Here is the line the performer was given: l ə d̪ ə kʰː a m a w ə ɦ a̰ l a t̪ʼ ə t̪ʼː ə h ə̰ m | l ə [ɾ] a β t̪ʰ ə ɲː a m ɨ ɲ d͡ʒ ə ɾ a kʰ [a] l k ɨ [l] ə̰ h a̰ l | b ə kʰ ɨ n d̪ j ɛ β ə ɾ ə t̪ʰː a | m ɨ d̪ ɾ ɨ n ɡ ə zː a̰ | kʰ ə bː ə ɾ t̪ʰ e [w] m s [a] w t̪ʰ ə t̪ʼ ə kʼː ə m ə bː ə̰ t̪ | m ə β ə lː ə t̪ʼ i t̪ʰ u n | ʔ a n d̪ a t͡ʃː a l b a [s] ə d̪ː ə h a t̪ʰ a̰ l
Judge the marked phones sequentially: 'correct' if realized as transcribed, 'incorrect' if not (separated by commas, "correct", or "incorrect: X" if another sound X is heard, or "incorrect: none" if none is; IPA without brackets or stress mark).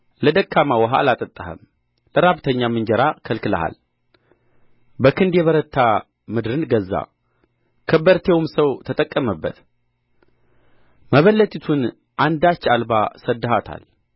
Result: correct, incorrect: ə, correct, correct, incorrect: ə, correct